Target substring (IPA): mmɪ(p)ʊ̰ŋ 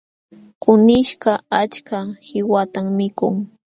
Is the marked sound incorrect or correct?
incorrect